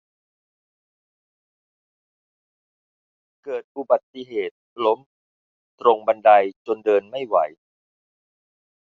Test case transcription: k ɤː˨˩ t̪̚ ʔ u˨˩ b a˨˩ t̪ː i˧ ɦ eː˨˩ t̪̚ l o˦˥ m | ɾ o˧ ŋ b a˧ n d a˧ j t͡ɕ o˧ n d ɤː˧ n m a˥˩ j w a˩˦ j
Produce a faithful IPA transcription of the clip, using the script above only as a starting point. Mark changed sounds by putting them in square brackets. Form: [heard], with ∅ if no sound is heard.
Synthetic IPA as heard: k ɤː˨˩ t̪̚ ʔ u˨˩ b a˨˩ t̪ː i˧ ɦ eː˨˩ t̪̚ l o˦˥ m | ɾ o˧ ŋ b a˧ n d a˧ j t͡ɕ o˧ n d ɤː˧ n m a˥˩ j w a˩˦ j